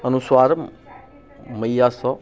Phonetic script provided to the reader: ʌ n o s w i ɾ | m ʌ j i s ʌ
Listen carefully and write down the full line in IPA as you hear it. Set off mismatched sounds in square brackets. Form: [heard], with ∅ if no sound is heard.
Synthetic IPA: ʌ n [u] s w [a] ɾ | m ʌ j [a] s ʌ